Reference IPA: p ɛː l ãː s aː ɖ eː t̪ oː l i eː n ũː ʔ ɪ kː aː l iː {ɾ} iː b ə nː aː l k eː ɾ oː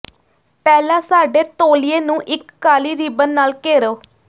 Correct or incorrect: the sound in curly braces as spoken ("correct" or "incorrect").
correct